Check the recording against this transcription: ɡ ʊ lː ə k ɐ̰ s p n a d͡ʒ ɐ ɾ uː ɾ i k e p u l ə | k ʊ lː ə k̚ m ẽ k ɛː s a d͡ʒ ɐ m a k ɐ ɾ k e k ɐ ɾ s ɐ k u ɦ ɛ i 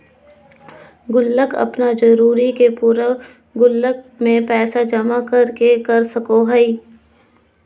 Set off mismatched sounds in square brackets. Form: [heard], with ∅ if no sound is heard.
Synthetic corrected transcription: ɡ ʊ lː ə k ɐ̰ [∅] p n a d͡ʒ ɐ ɾ uː ɾ i k e p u [ɾ] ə | [ɡ] ʊ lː ə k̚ m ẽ [p] ɛː s a d͡ʒ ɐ m a k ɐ ɾ k e k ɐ ɾ s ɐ k [o] ɦ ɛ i